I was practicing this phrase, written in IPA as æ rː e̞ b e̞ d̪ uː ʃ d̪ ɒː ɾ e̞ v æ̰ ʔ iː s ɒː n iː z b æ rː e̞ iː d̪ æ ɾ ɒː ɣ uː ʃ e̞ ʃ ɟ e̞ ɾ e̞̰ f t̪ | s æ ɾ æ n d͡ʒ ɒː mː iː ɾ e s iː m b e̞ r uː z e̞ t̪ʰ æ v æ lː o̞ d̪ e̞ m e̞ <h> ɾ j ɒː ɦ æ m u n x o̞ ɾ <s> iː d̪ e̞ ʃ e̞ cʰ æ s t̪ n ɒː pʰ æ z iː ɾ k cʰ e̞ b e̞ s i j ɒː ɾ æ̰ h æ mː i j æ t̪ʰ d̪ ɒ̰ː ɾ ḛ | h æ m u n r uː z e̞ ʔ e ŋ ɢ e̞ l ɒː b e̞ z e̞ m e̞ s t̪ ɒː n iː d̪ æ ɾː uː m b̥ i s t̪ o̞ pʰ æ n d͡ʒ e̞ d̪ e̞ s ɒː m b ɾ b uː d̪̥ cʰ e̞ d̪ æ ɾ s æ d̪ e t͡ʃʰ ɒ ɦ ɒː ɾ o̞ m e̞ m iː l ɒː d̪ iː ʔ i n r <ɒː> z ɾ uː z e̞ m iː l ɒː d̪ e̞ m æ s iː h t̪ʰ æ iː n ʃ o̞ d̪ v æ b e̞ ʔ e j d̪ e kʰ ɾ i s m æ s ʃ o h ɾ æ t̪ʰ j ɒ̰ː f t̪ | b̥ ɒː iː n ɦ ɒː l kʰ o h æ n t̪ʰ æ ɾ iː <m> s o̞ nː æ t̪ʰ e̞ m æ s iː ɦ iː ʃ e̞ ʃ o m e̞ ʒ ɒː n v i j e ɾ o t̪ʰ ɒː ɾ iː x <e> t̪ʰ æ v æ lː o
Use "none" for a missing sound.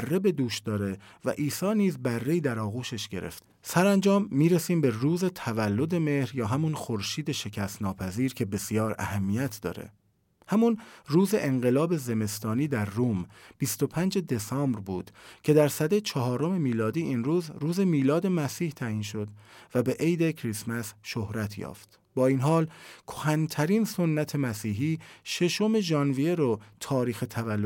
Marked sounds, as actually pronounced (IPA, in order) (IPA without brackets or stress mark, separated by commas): h, ʃ, uː, n, e